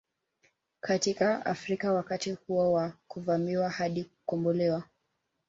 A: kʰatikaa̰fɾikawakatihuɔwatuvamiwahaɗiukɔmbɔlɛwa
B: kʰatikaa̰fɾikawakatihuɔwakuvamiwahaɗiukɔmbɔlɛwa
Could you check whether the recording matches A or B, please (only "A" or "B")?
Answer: B